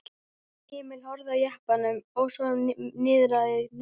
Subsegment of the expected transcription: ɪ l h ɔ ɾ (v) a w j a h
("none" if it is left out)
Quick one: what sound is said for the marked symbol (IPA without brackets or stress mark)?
ð